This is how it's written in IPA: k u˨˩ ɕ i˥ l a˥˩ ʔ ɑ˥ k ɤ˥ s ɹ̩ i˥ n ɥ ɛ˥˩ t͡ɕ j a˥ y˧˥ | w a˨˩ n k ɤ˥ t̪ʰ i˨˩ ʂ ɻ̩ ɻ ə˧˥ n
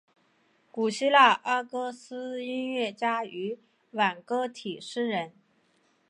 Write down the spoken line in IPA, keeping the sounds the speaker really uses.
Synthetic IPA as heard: k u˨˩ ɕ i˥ l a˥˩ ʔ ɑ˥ k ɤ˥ s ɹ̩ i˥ n ɥ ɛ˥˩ t͡ɕ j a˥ y˧˥ | w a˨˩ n k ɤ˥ t̪ʰ i˨˩ ʂ ɻ̩ ɻ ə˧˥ n